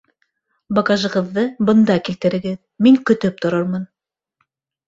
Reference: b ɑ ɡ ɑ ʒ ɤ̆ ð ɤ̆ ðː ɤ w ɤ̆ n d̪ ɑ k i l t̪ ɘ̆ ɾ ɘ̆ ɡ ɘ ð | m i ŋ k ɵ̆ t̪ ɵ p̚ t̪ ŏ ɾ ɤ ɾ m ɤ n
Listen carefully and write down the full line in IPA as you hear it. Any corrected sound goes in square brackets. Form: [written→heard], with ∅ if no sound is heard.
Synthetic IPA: b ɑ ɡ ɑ ʒ ɤ̆ [ð→ʁ] ɤ̆ ðː ɤ [w→b] ɤ̆ n d̪ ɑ k i l t̪ ɘ̆ ɾ ɘ̆ ɡ ɘ ð | m i ŋ k ɵ̆ t̪ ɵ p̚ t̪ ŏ ɾ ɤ ɾ m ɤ n